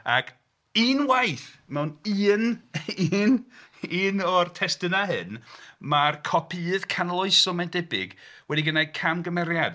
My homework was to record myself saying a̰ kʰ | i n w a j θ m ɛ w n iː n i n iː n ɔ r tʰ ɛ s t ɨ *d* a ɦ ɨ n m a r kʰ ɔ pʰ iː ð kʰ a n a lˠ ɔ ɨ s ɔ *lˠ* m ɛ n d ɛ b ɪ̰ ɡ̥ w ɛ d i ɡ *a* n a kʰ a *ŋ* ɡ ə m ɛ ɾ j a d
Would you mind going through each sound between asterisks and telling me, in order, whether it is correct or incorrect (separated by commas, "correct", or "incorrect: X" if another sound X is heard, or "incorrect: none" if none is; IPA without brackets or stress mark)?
incorrect: n, incorrect: none, incorrect: ə, incorrect: m